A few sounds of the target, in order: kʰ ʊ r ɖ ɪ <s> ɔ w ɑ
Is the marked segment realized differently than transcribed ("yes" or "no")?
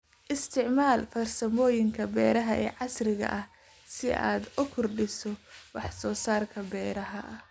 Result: no